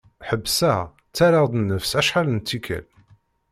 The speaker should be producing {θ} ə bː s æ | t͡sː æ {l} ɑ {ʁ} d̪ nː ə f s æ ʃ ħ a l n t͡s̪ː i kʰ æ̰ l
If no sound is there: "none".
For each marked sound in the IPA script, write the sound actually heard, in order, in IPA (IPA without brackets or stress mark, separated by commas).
ħ, ɾ, ʁ